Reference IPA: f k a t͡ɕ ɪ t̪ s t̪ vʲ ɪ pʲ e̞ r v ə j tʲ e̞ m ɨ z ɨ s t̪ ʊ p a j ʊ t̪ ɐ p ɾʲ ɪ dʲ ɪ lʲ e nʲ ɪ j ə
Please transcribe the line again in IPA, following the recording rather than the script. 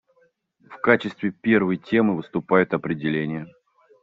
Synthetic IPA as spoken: f k a t͡ɕ ɪ s t̪ vʲ ɪ pʲ e̞ r v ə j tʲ e̞ m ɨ v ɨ s t̪ ʊ p a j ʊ t̪ ɐ p ɾʲ ɪ dʲ ɪ lʲ e nʲ ɪ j ə